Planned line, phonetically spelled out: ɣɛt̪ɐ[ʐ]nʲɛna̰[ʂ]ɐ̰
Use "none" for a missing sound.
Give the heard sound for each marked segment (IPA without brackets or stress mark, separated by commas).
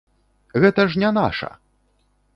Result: ʐ, ʂ